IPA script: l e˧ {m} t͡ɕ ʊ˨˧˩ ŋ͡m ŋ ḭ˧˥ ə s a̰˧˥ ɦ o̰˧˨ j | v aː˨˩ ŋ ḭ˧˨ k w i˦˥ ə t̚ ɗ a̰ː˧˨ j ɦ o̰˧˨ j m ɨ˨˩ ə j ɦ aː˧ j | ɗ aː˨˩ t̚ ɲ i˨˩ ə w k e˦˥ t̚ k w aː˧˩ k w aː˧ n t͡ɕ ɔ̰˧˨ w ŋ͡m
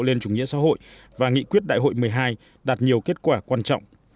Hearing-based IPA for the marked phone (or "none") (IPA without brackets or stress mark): n